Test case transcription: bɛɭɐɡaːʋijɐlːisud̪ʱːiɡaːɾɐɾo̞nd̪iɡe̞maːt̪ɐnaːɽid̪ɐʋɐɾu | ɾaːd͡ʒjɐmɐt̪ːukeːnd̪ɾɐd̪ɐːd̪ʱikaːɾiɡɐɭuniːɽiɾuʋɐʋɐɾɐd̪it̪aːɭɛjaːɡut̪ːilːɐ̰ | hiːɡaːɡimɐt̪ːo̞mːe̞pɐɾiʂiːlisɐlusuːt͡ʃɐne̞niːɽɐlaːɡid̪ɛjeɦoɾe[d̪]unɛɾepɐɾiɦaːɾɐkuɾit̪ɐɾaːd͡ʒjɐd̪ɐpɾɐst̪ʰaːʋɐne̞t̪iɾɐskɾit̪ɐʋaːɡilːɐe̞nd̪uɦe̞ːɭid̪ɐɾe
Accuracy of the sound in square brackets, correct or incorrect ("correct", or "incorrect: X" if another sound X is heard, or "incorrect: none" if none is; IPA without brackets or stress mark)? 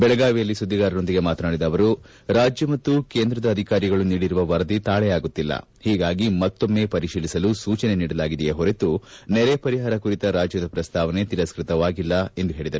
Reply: incorrect: t̪